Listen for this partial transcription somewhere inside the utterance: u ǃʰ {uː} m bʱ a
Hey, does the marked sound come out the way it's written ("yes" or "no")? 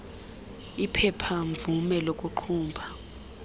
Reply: yes